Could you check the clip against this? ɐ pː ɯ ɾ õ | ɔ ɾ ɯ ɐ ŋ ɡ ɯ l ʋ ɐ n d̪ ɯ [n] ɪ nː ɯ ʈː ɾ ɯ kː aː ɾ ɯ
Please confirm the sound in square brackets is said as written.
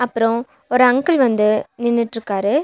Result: yes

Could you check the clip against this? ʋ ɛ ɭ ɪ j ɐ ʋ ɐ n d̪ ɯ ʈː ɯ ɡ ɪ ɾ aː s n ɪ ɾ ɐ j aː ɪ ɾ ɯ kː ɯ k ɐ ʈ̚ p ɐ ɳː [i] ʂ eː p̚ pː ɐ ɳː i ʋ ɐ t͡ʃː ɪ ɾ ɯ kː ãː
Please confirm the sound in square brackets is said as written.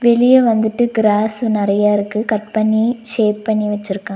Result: yes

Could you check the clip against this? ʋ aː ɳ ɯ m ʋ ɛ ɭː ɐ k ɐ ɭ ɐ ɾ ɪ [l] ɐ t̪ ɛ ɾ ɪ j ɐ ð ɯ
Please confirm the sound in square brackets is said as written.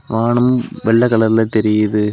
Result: yes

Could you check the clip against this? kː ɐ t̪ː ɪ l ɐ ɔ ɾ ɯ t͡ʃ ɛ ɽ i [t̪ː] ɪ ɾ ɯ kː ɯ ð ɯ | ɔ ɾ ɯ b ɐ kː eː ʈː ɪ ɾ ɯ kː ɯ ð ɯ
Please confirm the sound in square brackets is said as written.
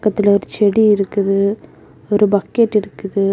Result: no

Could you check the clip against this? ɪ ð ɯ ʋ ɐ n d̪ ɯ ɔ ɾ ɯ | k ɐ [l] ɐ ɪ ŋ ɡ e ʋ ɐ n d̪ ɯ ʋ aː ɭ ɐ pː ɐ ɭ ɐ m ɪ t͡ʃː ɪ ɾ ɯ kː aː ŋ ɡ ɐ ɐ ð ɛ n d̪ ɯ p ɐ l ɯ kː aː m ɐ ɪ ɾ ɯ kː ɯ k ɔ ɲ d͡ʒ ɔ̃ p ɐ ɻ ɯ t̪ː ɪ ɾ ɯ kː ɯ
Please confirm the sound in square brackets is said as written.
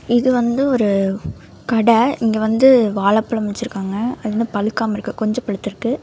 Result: no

